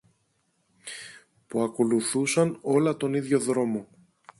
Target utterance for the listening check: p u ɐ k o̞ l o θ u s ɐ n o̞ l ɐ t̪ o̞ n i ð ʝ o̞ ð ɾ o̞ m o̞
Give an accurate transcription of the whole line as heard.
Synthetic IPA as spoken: p u ɐ k o̞ l u θ u s ɐ n o̞ l ɐ t̪ o̞ n i ð ʝ o̞ ð ɾ o̞ m o̞